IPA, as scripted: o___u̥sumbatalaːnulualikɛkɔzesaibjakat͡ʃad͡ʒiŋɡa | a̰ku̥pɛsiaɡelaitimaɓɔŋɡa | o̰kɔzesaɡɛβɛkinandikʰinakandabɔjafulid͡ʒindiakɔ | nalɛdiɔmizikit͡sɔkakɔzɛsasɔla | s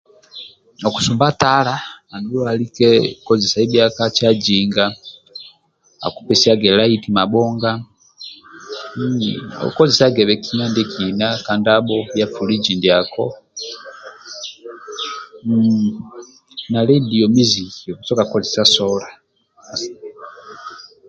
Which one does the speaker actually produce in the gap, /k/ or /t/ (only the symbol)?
k